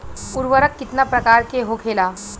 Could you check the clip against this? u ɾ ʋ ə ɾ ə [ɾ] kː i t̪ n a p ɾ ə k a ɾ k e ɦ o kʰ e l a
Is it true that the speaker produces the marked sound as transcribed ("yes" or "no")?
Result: no